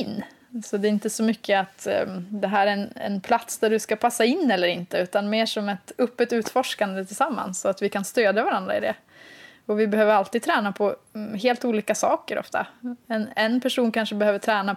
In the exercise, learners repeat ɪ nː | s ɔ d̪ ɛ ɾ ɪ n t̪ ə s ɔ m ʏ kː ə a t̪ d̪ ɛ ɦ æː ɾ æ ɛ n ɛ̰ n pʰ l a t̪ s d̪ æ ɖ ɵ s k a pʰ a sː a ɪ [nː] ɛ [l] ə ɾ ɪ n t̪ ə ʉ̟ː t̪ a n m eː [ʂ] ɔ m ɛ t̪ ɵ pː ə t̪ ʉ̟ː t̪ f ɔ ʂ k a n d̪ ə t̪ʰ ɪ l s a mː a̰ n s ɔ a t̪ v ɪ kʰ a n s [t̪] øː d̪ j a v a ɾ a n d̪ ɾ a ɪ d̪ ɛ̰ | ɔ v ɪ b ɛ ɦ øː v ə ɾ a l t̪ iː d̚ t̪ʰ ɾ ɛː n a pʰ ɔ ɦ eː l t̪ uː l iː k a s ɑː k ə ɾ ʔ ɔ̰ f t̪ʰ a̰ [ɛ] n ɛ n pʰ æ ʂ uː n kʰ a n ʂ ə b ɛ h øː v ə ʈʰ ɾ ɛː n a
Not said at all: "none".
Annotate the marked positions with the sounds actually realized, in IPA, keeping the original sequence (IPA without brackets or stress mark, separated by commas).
nː, lː, ʂ, t̪, ɛ